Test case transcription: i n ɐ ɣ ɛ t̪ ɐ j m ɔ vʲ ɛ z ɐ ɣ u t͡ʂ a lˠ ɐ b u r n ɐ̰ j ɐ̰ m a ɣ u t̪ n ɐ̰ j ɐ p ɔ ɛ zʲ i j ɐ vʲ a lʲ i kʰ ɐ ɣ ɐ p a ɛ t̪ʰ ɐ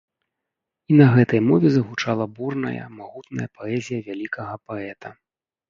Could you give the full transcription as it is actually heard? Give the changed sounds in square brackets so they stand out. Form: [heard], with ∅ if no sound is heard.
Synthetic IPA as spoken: i n ɐ ɣ ɛ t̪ ɐ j m ɔ vʲ ɛ z ɐ ɣ u t͡ʂ a lˠ ɐ b u r n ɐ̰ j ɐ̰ m a ɣ u t̪ n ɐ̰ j ɐ p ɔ ɛ zʲ i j ɐ vʲ a lʲ i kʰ ɐ ɣ ɐ p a ɛ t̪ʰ ɐ